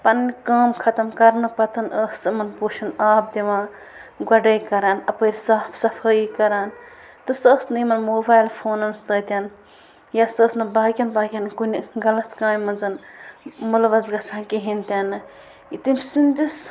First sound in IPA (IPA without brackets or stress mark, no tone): p